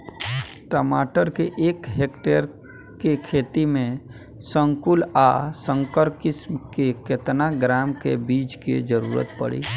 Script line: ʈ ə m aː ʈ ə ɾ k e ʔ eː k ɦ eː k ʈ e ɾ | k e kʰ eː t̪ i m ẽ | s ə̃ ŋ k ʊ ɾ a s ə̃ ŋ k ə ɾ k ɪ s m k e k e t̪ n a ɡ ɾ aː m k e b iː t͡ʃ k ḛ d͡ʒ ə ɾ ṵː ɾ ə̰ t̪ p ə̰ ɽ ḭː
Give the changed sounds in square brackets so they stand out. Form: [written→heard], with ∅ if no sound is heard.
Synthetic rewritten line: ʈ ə m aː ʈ ə ɾ k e ʔ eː k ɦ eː k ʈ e ɾ | k e kʰ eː t̪ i m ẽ | s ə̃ ŋ k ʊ [ɾ→l] a s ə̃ ŋ k ə ɾ k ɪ s m k e k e t̪ n a ɡ ɾ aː m k e b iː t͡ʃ k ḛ d͡ʒ ə ɾ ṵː ɾ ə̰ t̪ p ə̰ ɽ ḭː